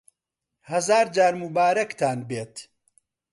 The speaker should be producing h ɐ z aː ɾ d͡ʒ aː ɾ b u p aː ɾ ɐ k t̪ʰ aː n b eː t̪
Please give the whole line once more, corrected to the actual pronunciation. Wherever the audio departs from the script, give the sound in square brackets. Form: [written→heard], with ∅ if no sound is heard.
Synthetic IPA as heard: h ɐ z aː ɾ d͡ʒ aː ɾ [b→m] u [p→b] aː ɾ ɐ k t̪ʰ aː n b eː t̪